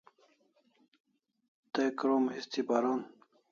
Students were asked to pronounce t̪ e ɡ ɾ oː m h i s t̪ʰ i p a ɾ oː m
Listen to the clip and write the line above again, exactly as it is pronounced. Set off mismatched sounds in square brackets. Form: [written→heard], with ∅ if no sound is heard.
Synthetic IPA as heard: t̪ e [ɡ→k] ɾ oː m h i s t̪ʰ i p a ɾ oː [m→n]